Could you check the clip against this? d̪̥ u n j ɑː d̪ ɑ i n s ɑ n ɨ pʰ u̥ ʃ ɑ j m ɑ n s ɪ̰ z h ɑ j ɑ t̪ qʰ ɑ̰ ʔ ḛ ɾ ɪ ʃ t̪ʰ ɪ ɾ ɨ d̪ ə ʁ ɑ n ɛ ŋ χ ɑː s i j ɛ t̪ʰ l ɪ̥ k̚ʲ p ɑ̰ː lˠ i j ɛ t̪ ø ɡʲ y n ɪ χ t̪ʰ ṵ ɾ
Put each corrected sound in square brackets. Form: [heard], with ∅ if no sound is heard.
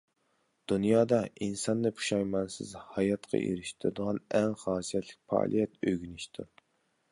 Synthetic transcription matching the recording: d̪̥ u n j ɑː d̪ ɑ i n s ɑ [nː] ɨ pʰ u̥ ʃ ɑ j m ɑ n s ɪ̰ z h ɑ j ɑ t̪ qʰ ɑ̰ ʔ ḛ ɾ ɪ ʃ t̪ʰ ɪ ɾ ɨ d̪ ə ʁ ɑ n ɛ ŋ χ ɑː s i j ɛ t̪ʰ l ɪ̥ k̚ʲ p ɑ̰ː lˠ i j ɛ t̪ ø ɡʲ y n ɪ [ʃ] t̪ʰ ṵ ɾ